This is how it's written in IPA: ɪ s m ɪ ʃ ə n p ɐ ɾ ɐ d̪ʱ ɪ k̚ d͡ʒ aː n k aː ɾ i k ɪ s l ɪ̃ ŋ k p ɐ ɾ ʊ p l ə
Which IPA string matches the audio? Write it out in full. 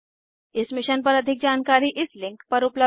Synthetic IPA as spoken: ɪ s m ɪ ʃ ə n p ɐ ɾ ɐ d̪ʱ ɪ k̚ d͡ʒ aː n k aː ɾ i ʔ ɪ s l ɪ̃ ŋ k p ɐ ɾ ʊ p l ə